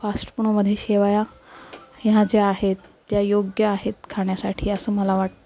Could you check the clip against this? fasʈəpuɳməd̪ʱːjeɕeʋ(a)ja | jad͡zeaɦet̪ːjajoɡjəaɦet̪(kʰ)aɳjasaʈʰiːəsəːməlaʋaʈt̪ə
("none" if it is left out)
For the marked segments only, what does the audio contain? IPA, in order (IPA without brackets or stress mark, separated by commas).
a, kʰ